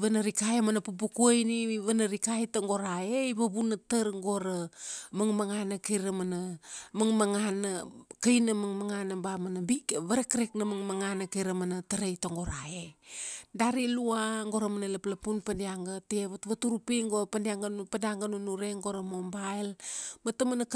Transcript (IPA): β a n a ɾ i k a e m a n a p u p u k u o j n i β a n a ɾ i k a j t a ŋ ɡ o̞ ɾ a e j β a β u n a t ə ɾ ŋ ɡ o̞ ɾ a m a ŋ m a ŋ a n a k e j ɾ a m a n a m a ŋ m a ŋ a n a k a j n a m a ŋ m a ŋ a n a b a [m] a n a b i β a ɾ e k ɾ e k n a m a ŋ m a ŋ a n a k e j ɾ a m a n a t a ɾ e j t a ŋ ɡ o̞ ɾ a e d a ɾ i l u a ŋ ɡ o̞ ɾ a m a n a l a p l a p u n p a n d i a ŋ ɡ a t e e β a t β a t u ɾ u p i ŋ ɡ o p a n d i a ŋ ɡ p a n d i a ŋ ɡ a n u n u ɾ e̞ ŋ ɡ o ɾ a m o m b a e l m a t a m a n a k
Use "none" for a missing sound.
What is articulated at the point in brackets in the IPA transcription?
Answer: m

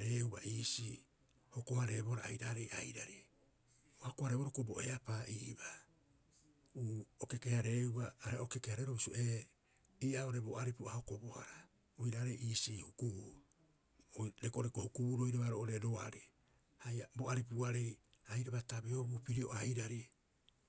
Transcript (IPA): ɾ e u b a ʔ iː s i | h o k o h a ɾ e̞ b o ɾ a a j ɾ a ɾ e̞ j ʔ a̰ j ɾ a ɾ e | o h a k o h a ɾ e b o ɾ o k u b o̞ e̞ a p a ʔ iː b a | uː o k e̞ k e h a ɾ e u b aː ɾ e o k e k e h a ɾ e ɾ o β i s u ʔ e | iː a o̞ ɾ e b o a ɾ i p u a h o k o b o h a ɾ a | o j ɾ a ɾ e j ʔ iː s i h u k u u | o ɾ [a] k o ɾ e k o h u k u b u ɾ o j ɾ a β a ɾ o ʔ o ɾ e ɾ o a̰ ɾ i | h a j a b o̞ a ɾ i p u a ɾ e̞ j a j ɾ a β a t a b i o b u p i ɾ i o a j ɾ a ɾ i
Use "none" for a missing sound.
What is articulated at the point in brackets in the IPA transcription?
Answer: e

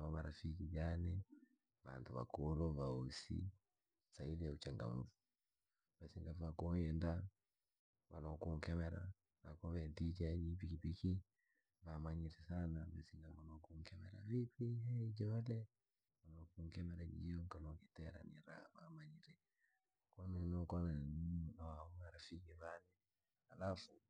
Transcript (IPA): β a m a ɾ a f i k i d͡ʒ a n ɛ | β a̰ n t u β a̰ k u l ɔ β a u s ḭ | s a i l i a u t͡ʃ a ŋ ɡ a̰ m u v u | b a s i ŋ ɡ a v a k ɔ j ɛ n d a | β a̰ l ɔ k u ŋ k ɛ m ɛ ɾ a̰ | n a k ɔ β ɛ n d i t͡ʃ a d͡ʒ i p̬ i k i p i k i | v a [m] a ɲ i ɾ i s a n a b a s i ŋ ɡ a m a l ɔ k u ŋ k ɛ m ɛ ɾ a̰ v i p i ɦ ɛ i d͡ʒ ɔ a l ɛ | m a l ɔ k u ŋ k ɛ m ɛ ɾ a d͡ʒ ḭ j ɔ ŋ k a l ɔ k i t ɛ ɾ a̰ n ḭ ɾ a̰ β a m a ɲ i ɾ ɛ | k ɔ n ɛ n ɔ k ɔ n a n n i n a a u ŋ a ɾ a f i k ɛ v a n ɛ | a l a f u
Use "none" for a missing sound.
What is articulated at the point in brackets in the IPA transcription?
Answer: m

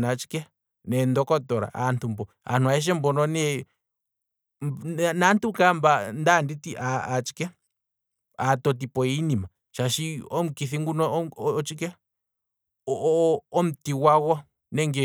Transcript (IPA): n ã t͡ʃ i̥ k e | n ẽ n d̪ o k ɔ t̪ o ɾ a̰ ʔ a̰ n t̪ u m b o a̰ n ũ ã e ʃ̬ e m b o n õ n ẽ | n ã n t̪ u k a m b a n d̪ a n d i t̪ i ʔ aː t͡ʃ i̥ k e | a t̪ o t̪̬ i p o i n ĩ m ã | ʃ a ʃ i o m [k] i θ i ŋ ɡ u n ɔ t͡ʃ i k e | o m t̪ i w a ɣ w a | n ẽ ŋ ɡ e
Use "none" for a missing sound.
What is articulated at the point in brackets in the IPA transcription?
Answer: k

